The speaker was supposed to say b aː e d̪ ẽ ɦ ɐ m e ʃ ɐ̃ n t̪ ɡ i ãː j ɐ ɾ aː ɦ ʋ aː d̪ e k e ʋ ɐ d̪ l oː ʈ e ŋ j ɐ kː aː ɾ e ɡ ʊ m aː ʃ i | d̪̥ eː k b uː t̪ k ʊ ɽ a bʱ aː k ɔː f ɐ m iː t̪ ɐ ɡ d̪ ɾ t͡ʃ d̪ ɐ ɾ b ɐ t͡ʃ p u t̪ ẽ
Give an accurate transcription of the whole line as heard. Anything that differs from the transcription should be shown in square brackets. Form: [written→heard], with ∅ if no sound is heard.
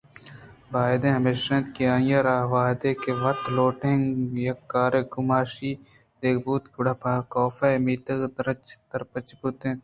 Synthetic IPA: b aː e d̪ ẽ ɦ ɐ m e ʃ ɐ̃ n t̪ [ɡ→k] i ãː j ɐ ɾ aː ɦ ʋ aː d̪ e k e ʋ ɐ [d̪→t̪] l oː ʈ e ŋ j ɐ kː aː ɾ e ɡ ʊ m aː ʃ i | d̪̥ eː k b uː t̪ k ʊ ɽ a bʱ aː k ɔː f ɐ m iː t̪ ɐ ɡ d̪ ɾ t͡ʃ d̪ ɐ ɾ [b→p] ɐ t͡ʃ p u t̪ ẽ